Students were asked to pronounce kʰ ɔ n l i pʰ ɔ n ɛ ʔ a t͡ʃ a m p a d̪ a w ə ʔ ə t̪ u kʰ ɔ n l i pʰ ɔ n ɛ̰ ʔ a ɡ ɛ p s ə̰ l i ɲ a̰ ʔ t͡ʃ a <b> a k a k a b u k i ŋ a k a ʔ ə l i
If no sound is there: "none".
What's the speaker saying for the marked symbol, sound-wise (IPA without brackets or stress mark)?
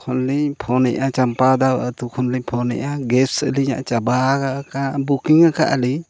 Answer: b